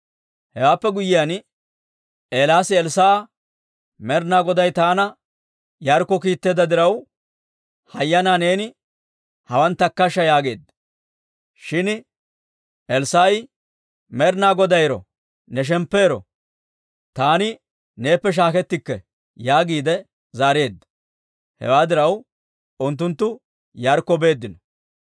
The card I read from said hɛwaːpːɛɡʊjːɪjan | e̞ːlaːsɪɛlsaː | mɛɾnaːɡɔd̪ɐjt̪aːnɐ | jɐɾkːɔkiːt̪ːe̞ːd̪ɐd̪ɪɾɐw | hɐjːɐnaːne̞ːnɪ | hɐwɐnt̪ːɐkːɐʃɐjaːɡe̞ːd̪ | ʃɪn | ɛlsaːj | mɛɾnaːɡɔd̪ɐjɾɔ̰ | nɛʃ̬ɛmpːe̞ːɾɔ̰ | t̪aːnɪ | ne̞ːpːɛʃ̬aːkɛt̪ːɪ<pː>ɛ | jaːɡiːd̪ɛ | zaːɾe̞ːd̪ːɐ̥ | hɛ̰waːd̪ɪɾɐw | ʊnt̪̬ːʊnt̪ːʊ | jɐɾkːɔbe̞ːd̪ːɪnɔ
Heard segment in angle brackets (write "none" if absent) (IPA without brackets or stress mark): kː